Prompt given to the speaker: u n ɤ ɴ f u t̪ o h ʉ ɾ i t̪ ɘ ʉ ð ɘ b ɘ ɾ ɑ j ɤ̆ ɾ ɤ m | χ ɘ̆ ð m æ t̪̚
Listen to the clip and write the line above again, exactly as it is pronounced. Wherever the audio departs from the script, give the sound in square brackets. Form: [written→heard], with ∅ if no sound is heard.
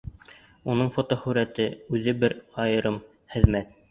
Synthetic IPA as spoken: u n ɤ ɴ f [u→o] t̪ o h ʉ ɾ [i→æ] t̪ ɘ ʉ ð ɘ b ɘ ɾ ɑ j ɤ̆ ɾ ɤ m | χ ɘ̆ ð m æ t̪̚